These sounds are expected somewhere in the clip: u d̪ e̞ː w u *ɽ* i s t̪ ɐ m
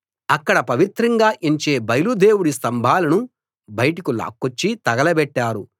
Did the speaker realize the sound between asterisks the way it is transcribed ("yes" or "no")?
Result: yes